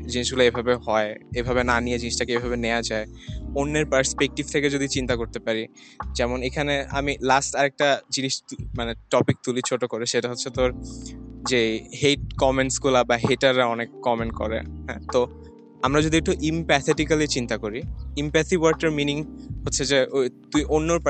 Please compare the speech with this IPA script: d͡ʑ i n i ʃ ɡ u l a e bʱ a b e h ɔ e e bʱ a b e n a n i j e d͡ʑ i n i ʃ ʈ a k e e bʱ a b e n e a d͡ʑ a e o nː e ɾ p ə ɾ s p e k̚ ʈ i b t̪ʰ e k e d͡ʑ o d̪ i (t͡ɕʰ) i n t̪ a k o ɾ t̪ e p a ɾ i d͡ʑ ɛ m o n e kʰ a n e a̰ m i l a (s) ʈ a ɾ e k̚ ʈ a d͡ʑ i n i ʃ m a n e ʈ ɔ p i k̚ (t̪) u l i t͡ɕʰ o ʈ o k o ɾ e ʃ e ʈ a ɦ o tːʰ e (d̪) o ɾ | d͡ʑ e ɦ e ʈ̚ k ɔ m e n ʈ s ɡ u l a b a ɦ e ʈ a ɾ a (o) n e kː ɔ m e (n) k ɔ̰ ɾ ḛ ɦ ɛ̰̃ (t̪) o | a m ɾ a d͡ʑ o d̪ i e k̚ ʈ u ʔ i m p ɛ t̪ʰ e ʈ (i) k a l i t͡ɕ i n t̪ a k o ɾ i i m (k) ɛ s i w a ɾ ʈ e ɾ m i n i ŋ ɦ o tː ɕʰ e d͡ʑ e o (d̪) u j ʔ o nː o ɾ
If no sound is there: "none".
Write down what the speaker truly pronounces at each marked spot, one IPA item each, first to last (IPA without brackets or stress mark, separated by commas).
t͡ɕ, s, t̪, t̪, ɔ, n, t̪, i, p, t̪